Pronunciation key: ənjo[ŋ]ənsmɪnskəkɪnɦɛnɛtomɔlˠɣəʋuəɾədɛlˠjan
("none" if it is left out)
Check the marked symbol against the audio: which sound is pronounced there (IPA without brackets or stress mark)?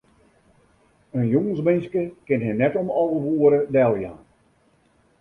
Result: ŋ